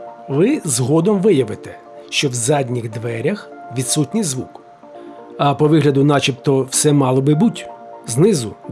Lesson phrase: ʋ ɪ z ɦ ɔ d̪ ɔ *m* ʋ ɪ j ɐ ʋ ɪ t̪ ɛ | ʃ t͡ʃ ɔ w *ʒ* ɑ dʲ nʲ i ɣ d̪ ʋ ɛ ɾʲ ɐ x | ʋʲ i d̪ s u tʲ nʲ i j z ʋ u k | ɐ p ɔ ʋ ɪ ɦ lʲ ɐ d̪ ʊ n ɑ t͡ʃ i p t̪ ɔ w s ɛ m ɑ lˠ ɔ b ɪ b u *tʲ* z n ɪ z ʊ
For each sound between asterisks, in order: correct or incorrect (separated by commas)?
correct, incorrect, correct